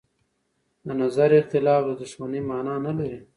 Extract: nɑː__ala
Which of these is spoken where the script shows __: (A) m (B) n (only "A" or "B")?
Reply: B